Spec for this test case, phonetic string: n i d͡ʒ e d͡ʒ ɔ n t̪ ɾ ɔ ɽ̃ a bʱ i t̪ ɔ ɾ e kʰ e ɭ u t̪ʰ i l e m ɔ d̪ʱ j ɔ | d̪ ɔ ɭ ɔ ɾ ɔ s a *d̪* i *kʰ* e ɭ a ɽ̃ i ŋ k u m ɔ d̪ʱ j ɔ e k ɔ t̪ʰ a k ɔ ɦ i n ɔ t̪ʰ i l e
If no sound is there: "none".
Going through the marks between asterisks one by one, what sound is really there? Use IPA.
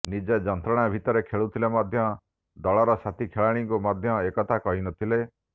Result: t̪, kʰ

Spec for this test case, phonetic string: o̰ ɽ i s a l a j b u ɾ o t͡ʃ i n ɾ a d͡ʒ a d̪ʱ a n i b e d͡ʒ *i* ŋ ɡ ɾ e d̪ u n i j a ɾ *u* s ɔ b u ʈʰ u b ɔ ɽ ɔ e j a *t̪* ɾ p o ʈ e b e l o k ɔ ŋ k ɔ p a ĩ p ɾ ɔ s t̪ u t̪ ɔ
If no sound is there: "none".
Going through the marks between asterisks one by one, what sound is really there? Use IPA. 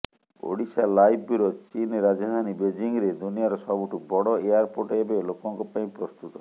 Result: i, ɔ, none

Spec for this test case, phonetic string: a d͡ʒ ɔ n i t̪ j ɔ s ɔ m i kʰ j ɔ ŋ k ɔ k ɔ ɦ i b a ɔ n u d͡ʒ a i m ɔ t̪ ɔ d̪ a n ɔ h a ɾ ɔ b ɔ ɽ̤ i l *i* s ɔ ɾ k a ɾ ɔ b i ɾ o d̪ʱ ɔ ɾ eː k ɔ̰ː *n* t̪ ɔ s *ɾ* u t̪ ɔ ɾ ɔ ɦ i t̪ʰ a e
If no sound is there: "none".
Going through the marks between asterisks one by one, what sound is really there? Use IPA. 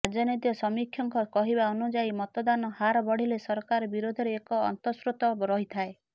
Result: e, n, ɾ

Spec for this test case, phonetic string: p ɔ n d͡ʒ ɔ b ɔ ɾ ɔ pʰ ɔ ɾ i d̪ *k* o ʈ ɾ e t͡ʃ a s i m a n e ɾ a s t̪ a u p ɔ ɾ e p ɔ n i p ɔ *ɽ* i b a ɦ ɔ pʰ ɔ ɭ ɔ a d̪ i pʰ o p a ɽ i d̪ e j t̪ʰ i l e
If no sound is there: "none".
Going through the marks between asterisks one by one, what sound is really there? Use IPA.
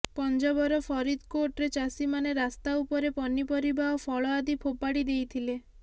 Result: k, ɾ

